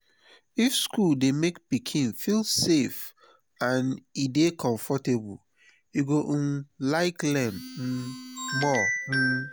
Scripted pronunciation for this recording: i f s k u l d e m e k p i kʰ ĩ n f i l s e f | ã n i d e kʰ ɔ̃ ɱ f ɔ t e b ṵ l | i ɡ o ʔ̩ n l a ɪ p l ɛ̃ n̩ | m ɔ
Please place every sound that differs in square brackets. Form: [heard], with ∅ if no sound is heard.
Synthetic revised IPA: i f s k u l d e m e k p i kʰ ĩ n f i l s e f | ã n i d e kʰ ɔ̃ ɱ f ɔ t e b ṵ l | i ɡ o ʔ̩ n l a ɪ [k] l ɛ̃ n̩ | m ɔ